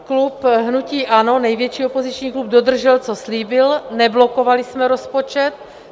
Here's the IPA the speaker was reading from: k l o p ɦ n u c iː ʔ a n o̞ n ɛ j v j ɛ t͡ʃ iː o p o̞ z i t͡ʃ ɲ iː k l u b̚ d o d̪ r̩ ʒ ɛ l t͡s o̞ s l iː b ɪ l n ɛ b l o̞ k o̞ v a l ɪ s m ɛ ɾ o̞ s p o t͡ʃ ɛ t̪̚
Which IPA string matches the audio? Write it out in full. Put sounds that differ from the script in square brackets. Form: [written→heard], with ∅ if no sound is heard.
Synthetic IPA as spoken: k l [o→u] p ɦ n u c iː ʔ a n o̞ n ɛ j v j ɛ t͡ʃ iː o p o̞ z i t͡ʃ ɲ iː k l u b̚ d o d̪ r̩ ʒ ɛ l t͡s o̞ s l iː b ɪ l n ɛ b l o̞ k o̞ v a l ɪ s m ɛ ɾ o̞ s p o t͡ʃ ɛ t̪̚